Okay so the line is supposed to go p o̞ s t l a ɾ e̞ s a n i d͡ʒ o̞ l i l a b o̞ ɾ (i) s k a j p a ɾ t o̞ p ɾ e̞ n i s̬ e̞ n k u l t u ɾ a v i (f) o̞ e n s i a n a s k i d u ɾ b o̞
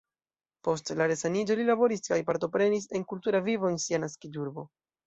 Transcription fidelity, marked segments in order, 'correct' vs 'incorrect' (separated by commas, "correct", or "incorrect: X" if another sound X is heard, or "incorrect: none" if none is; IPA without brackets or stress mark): correct, incorrect: v